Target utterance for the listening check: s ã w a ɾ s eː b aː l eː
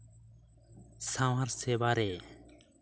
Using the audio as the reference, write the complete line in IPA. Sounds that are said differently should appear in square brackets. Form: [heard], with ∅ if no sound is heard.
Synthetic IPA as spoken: s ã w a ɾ s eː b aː [ɾ] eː